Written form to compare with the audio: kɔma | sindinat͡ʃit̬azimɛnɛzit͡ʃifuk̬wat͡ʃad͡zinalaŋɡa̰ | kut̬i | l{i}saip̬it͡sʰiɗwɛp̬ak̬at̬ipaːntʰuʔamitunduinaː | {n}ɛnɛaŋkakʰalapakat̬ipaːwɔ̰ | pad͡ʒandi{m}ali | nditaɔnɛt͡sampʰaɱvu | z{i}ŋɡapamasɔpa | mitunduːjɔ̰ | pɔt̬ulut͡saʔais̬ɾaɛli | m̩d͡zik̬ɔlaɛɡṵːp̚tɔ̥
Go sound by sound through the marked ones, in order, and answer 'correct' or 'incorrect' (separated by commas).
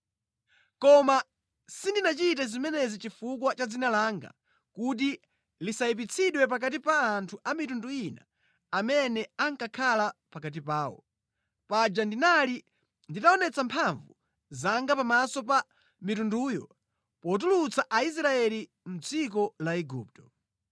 correct, incorrect, incorrect, incorrect